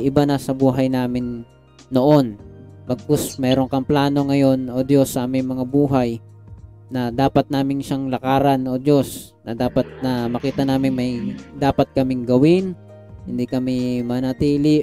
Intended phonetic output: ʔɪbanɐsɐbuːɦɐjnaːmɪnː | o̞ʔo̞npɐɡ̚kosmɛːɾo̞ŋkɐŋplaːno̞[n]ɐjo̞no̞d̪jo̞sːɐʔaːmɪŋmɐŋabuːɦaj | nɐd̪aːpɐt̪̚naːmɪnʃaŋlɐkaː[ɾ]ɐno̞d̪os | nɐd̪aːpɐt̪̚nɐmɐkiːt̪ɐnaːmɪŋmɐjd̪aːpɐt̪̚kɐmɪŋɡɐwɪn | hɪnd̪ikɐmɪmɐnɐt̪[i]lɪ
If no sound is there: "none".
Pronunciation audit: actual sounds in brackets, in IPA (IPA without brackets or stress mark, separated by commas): ŋ, ɾ, iː